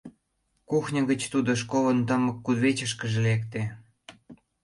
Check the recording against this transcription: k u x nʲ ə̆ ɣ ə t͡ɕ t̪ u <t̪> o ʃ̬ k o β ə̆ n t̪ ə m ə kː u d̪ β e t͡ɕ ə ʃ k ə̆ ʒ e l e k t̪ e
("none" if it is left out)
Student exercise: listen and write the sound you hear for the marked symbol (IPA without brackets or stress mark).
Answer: d̪